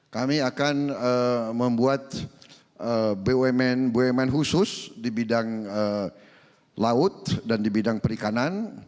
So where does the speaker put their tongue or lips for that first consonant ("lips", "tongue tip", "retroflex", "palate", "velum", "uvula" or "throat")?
velum